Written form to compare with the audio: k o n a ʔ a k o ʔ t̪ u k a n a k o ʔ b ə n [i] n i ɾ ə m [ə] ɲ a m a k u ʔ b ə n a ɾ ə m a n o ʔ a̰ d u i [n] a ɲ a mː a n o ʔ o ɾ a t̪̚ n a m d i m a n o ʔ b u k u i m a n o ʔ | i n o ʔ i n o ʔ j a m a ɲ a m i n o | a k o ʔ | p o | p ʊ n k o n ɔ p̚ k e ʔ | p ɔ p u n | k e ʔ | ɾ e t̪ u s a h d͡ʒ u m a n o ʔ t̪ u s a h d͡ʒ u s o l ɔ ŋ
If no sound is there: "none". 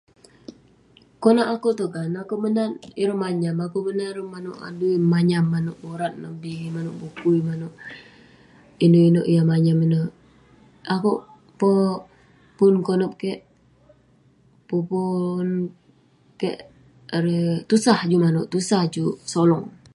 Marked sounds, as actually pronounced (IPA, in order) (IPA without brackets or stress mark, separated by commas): a, a, m